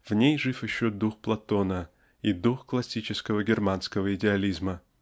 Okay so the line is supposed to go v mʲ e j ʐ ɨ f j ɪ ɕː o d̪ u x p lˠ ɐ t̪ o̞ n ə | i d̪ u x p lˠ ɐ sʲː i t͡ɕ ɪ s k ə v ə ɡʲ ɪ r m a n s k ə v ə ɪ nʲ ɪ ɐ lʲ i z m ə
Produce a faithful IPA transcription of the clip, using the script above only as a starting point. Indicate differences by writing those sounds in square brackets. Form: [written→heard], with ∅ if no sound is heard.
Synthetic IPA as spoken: v [mʲ→nʲ] e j ʐ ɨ f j ɪ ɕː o d̪ u x p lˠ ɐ t̪ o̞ n ə | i d̪ u x [p→k] lˠ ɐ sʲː i t͡ɕ ɪ s k ə v ə ɡʲ ɪ r m a n s k ə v ə ɪ [nʲ→dʲ] ɪ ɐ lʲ i z m ə